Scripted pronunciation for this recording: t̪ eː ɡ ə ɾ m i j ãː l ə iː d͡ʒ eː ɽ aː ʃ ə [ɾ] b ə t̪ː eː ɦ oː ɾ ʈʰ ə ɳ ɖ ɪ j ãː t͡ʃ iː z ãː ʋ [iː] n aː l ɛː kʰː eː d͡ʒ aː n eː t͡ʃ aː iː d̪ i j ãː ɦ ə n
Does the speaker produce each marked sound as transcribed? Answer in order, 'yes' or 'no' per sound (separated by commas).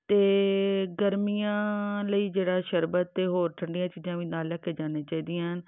yes, yes